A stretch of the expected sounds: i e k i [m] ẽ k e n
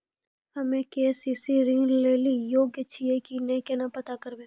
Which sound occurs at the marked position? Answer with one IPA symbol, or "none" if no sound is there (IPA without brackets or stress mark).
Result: n